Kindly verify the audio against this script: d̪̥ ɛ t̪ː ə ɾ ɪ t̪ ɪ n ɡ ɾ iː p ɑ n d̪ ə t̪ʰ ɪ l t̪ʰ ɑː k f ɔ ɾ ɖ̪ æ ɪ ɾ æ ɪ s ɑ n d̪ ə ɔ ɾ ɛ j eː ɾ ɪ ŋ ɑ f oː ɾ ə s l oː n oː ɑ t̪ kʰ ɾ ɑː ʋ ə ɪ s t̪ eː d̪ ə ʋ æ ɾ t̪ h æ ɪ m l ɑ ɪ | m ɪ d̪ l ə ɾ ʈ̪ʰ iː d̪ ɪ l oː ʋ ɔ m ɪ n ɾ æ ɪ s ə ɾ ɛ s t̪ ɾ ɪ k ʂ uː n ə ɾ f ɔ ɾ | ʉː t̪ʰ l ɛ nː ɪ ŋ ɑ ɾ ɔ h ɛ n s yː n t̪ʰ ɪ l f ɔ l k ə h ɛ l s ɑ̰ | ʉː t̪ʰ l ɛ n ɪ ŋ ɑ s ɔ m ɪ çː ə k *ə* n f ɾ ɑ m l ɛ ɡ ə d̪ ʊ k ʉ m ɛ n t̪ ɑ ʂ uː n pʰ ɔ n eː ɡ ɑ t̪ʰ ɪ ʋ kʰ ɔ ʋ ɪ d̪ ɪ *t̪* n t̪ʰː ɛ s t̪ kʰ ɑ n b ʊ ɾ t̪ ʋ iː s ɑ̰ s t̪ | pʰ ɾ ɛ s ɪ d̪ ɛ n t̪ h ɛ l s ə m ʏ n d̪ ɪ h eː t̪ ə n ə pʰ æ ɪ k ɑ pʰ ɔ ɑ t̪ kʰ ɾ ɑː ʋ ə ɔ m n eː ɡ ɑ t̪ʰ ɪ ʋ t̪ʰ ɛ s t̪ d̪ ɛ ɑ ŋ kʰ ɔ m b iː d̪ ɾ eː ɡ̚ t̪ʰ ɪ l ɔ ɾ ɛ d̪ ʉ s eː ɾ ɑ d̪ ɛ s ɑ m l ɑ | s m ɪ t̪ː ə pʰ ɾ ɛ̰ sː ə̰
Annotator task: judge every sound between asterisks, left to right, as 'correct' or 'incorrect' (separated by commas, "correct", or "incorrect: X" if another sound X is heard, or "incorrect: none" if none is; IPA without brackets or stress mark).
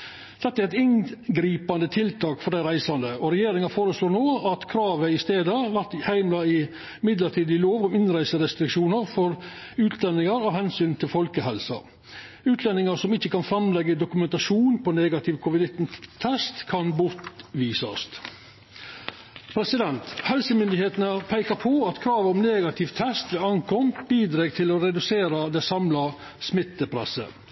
incorrect: ɑ, correct